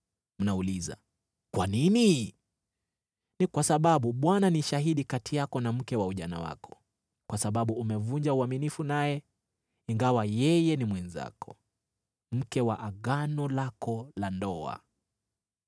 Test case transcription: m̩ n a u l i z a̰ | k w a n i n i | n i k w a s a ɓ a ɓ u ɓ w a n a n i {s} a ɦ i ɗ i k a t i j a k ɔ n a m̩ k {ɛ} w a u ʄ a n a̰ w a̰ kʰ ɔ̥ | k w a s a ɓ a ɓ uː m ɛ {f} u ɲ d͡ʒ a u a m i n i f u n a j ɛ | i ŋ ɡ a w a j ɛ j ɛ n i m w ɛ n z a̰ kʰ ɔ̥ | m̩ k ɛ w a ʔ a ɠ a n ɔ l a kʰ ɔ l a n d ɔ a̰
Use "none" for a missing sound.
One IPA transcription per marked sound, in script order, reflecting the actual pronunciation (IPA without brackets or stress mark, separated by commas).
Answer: ʃ, ɛ, v